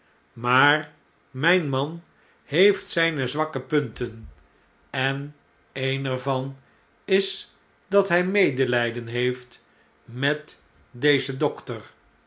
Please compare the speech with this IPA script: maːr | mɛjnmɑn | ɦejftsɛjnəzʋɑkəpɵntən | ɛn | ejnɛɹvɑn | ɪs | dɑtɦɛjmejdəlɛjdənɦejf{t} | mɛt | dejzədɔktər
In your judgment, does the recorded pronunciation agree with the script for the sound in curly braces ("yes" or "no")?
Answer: yes